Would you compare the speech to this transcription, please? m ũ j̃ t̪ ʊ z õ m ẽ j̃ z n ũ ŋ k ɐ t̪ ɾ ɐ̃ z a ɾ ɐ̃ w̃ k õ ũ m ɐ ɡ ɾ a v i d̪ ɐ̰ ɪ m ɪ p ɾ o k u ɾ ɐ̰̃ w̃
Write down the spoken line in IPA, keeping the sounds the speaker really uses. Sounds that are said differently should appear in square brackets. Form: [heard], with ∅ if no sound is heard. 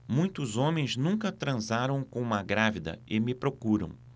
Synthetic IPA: m ũ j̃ t̪ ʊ z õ m ẽ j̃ z n ũ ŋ k ɐ t̪ ɾ ɐ̃ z a ɾ ɐ̃ w̃ k õ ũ m ɐ ɡ ɾ a v i d̪ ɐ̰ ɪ m ɪ p ɾ o k u ɾ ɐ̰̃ w̃